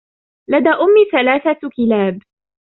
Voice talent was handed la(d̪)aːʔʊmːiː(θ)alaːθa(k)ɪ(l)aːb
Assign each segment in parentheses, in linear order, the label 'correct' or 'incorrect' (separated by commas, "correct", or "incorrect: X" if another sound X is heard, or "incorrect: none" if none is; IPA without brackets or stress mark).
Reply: correct, correct, correct, correct